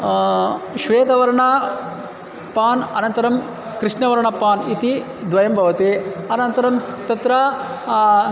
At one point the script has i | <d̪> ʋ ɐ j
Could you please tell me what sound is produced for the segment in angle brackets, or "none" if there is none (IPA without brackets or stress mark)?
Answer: d̪